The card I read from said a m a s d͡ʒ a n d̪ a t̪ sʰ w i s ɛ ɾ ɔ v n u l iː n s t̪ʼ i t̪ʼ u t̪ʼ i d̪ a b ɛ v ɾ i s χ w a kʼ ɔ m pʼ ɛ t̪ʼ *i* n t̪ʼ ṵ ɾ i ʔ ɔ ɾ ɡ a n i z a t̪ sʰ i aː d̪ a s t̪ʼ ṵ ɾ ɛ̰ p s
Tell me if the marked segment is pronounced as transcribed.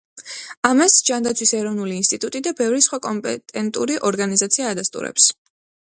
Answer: no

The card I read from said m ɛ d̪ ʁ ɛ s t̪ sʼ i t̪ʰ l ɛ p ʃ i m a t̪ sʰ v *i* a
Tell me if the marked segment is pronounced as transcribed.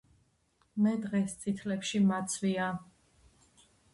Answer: yes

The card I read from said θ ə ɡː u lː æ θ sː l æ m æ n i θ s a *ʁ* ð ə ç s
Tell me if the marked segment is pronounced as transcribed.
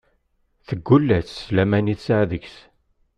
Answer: no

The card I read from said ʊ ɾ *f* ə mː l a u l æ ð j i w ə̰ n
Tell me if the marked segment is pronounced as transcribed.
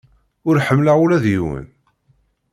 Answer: no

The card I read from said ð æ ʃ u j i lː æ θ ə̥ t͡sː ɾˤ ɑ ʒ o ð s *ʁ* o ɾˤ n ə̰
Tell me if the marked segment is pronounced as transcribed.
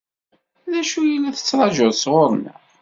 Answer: yes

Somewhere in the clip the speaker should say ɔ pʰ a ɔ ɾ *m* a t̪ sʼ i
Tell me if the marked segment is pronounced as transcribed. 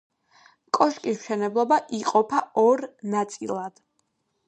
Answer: no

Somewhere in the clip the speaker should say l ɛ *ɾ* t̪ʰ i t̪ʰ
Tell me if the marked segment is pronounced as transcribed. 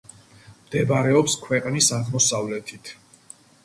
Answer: no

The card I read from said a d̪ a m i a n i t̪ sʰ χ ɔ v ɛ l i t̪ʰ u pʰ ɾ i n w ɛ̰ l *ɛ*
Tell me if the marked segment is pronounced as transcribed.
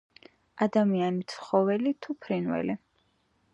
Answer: no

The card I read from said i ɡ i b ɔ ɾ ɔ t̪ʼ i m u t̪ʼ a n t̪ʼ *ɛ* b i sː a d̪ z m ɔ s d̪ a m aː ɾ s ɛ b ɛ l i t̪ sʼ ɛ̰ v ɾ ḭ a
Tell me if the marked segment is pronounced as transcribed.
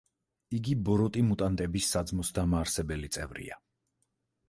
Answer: yes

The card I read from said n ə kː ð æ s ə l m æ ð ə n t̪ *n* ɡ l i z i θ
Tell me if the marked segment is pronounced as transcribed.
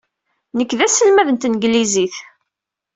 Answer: yes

